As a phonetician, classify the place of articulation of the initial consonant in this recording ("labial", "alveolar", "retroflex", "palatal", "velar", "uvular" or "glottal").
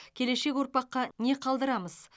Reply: velar